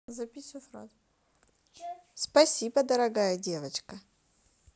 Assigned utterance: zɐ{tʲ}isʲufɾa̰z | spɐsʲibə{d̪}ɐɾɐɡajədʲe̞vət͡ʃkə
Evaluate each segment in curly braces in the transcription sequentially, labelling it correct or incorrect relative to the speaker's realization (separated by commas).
incorrect, correct